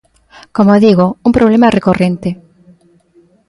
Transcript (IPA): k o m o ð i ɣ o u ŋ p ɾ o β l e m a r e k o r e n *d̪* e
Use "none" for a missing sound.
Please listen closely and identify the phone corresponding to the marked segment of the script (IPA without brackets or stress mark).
t̪